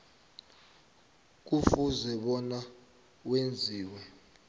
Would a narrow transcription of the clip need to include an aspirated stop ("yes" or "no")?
no